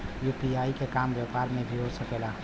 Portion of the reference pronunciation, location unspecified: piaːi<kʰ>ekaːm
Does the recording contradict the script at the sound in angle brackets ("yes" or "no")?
yes